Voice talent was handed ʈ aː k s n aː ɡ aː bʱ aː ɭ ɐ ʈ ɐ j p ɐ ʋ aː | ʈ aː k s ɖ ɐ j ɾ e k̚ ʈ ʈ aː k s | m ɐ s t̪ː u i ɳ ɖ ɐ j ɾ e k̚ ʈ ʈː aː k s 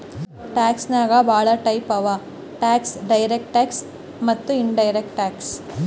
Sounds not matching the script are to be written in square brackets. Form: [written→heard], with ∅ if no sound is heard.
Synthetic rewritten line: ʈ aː k s n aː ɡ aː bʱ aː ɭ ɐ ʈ ɐ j p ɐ ʋ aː | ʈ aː k s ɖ ɐ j ɾ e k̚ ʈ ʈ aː k s | m ɐ [s→∅] t̪ː u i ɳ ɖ ɐ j ɾ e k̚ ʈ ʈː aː k s